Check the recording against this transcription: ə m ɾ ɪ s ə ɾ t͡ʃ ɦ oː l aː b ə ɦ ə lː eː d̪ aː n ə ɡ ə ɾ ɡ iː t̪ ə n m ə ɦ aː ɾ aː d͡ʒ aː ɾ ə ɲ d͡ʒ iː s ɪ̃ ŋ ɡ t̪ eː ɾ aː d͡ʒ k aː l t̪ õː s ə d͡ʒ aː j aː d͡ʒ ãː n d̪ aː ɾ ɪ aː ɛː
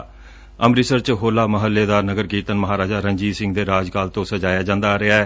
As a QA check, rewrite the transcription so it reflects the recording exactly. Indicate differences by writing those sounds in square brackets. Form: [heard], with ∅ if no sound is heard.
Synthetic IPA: ə m ɾ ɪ s ə ɾ t͡ʃ ɦ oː l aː [m] ə ɦ ə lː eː d̪ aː n ə ɡ ə ɾ ɡ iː t̪ ə n m ə ɦ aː ɾ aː d͡ʒ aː ɾ ə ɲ d͡ʒ iː s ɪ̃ ŋ ɡ [d̪] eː ɾ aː d͡ʒ k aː l t̪ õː s ə d͡ʒ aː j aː d͡ʒ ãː n d̪ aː ɾ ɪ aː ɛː